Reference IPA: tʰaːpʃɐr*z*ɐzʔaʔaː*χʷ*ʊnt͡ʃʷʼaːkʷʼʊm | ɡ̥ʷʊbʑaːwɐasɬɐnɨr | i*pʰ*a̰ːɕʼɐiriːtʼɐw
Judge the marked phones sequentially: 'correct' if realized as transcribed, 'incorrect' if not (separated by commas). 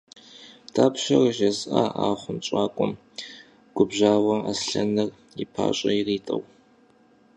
incorrect, correct, correct